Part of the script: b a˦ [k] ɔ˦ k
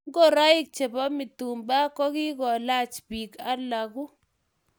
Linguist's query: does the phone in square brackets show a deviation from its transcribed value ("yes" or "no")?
no